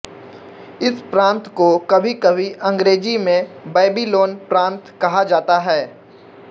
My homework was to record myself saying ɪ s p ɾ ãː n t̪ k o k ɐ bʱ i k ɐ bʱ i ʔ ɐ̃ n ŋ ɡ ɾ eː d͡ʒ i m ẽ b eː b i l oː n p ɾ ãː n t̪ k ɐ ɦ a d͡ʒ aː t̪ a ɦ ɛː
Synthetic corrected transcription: ɪ s p ɾ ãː n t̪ k o k ɐ bʱ i k ɐ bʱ i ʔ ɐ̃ ŋ ɡ ɾ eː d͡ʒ i m ẽ b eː b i l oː n p ɾ ãː n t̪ k ɐ ɦ a d͡ʒ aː t̪ a ɦ ɛː